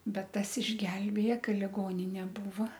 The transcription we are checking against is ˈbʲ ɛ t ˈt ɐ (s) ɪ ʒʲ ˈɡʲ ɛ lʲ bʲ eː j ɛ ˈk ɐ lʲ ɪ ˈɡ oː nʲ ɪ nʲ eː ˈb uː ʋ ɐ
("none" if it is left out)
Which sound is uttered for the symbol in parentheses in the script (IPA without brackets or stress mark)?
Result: s